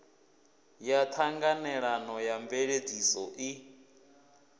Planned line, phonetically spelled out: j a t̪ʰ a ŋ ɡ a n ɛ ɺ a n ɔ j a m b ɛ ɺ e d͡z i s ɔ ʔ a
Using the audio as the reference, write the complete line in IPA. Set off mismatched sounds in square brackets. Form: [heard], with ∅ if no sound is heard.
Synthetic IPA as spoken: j a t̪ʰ a ŋ ɡ a n ɛ ɺ a n ɔ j a m b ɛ ɺ e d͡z i s ɔ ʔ [i]

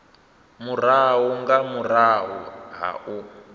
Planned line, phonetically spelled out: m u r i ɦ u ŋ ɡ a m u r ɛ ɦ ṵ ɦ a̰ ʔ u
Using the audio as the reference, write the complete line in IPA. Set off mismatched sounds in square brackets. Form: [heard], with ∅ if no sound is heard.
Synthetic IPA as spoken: m u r [a] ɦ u ŋ ɡ a m u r [a] ɦ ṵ ɦ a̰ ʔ u

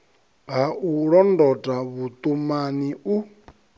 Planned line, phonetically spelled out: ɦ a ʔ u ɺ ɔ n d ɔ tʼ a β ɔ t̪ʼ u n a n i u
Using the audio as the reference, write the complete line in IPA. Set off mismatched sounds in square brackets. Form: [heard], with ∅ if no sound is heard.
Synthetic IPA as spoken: ɦ a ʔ u ɺ ɔ n d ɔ tʼ a β [u] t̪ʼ u [m] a n i u

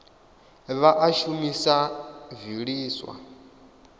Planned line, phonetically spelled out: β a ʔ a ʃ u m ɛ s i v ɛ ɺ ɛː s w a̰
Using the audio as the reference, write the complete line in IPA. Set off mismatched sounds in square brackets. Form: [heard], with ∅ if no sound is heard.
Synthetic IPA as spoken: β a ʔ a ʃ u m [i] s [a] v [i] ɺ [iː] s w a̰

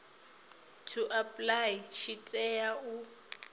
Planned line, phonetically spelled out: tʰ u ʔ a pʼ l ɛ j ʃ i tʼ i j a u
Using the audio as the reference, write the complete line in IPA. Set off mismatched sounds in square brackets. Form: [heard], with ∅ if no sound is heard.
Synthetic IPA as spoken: tʰ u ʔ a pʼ l [a] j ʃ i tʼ [ɛ] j a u

